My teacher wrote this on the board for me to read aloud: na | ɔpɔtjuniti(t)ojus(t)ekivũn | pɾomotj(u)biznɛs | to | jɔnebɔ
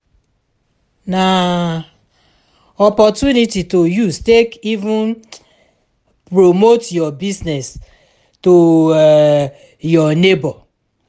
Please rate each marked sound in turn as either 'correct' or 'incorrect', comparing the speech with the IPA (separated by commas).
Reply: correct, correct, incorrect